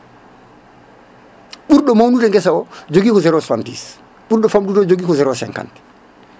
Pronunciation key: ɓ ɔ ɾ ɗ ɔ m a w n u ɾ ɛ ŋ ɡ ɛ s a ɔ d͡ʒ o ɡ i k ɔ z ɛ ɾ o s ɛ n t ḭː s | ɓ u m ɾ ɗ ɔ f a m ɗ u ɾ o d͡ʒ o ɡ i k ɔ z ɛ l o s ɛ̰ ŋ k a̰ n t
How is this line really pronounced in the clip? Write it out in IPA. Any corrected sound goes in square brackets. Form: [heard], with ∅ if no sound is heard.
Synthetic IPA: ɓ [u] ɾ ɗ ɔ m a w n u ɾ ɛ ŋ ɡ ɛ s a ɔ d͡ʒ o ɡ i k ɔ z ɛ ɾ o s [a] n t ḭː s | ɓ u [∅] ɾ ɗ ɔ f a m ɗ u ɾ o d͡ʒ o ɡ i k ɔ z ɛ [ɾ] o s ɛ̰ ŋ k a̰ n t